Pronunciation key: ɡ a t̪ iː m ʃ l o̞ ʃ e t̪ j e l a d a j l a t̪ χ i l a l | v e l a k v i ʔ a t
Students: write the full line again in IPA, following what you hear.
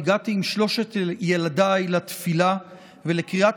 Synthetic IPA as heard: ɡ a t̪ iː m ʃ l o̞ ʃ e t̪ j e l a d a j l a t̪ f i l a | v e l e k ʁ i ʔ a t